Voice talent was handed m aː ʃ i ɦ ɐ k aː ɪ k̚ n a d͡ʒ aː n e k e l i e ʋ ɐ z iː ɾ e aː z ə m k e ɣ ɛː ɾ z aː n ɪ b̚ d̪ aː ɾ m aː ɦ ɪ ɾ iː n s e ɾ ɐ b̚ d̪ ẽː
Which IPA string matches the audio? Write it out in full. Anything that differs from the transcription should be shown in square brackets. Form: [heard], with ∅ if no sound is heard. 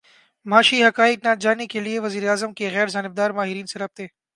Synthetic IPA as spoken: m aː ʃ i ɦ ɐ k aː ɪ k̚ n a d͡ʒ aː n e k e l i e ʋ ɐ z iː ɾ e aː z ə m k e ɣ ɛː ɾ z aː n ɪ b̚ d̪ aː ɾ m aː ɦ ɪ ɾ iː n s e ɾ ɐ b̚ [t̪] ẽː